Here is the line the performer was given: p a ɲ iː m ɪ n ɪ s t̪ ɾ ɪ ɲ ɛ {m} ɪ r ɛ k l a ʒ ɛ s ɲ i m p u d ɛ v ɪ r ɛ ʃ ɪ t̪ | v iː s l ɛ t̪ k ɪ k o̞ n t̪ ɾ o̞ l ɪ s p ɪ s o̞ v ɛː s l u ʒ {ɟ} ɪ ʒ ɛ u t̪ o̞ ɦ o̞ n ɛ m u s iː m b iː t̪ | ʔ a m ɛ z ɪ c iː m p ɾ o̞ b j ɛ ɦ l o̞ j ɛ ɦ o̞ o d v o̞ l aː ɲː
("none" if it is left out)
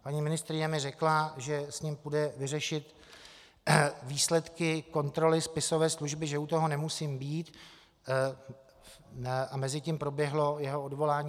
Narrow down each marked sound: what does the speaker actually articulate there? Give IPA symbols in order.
m, b

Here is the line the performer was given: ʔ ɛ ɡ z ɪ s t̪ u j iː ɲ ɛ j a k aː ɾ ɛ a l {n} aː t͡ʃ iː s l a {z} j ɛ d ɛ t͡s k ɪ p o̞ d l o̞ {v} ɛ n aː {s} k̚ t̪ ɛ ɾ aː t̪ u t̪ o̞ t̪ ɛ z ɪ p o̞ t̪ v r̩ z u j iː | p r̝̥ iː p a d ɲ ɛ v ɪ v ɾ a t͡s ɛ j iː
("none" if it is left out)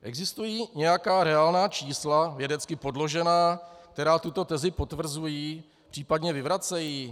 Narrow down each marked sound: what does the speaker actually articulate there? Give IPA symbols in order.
n, v, ʒ, none

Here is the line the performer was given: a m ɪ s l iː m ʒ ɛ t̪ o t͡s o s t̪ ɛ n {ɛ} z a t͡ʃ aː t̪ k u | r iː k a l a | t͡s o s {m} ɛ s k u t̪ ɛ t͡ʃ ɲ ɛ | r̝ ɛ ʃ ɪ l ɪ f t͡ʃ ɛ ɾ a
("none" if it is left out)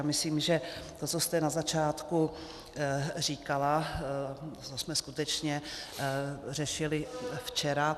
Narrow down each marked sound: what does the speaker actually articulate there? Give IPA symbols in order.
a, m

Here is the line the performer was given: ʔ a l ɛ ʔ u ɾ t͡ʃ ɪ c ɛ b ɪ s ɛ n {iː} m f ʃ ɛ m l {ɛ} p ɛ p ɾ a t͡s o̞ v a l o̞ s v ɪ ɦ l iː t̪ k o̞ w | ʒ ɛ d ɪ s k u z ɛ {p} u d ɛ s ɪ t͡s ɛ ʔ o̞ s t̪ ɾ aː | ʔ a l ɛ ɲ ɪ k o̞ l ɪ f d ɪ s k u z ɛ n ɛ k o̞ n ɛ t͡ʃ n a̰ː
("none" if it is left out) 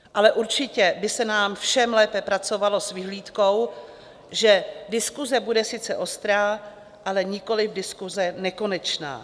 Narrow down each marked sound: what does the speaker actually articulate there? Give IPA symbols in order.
aː, ɛː, b

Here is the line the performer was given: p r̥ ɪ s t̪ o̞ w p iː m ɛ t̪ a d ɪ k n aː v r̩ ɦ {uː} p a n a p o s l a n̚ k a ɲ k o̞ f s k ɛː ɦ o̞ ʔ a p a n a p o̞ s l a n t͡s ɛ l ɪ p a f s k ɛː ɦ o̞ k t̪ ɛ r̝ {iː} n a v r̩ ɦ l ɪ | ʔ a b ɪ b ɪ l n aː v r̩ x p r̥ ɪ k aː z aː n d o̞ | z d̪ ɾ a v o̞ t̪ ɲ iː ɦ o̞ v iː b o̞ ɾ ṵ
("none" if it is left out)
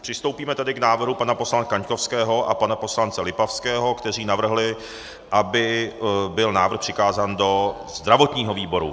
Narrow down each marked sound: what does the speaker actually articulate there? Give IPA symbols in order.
u, iː

